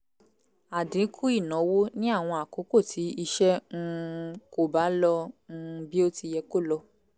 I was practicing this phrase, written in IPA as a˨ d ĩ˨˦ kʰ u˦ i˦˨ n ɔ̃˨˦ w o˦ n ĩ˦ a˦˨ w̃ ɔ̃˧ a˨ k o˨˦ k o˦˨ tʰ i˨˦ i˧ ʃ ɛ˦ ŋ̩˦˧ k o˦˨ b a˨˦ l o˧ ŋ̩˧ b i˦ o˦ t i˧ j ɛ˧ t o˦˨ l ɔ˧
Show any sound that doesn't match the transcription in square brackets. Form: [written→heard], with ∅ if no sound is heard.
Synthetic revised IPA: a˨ d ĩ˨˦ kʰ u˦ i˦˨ n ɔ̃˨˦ w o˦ n ĩ˦ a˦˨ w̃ ɔ̃˧ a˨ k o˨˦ k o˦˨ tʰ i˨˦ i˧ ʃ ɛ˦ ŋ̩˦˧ k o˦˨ b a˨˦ l [o˧→ɔ˧] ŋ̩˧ b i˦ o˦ t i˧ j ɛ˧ [t→k] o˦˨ l ɔ˧